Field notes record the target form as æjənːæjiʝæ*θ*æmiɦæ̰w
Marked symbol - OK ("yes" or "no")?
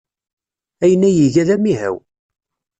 no